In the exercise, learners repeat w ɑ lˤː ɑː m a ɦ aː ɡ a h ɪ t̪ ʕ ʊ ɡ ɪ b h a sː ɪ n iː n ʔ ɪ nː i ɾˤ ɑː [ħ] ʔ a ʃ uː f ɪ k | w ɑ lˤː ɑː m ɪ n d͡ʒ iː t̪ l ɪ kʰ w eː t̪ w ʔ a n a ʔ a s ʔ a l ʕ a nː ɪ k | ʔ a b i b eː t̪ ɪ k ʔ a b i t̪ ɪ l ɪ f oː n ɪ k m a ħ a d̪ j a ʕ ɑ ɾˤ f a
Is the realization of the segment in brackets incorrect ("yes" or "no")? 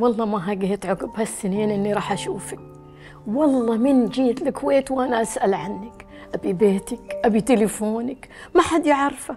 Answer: no